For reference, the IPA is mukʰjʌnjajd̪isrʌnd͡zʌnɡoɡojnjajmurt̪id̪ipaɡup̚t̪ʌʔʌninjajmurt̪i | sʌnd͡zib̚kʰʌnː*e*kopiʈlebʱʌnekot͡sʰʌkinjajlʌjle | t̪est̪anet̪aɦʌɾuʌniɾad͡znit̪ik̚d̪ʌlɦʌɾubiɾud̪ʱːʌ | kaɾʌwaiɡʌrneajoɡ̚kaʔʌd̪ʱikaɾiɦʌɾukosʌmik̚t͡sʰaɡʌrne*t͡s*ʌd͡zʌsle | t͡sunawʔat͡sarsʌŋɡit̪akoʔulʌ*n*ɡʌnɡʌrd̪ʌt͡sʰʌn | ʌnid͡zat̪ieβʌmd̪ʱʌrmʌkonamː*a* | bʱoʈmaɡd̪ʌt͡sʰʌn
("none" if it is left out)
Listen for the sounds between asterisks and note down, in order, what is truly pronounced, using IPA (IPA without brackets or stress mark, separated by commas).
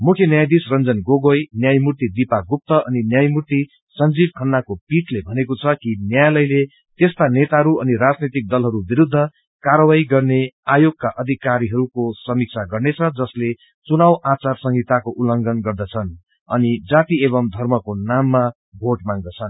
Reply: a, t͡sʰ, ŋ, a